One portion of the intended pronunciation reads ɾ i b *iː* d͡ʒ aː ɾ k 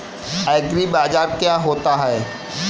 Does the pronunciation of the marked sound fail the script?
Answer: yes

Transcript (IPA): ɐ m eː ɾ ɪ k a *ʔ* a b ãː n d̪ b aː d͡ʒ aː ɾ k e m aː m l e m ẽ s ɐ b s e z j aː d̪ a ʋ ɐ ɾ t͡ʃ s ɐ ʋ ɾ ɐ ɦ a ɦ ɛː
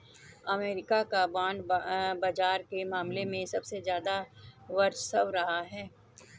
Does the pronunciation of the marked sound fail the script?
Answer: yes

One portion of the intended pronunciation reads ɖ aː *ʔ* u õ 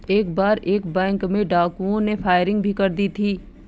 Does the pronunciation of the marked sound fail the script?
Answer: yes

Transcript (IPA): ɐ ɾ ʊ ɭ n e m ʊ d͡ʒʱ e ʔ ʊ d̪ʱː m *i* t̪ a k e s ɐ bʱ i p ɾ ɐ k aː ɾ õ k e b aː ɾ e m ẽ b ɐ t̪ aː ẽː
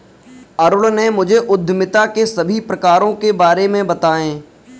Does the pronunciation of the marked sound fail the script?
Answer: yes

